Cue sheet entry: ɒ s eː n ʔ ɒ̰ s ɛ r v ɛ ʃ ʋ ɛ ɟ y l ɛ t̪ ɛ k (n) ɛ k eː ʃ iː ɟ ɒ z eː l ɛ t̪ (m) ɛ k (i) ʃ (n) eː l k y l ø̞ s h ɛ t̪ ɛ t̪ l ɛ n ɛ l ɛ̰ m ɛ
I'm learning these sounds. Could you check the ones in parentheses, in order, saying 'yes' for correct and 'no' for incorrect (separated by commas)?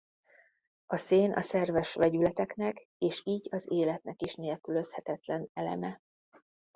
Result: yes, no, yes, yes